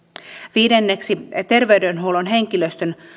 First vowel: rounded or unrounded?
unrounded